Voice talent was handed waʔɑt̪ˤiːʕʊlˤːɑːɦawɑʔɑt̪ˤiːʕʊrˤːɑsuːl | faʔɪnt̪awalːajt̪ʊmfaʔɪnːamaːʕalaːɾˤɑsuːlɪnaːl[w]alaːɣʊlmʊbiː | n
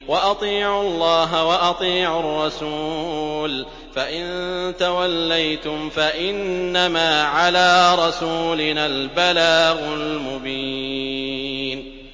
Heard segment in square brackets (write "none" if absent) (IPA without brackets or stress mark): b